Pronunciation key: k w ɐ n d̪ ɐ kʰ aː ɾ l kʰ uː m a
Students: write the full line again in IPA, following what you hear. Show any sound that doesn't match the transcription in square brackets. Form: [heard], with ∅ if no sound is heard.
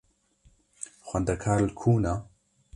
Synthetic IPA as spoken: [x] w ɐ n d̪ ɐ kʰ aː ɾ l kʰ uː [n] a